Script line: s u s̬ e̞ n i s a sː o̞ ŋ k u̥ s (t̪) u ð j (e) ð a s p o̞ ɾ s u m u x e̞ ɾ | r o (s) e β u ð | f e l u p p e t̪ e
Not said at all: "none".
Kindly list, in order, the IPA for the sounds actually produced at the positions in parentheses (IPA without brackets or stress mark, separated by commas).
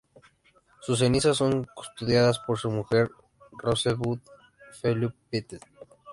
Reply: t̪, a, s